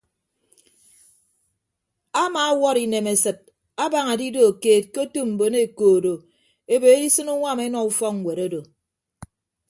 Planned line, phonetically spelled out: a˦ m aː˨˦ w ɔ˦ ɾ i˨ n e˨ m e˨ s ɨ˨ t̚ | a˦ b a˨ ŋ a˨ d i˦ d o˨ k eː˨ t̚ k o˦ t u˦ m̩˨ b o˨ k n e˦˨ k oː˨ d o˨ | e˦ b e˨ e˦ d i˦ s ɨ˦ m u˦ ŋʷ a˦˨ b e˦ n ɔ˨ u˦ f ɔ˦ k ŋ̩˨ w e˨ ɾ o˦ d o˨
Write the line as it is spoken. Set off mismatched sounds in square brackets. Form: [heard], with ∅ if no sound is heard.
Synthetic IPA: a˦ m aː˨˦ w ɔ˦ ɾ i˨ n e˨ m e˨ s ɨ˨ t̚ | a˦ b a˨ ŋ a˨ d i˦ d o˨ k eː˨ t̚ k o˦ t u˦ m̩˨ b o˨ [∅] n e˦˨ k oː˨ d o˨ | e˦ b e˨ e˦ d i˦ s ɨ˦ [n] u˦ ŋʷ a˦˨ [m] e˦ n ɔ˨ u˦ f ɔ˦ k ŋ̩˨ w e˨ ɾ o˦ d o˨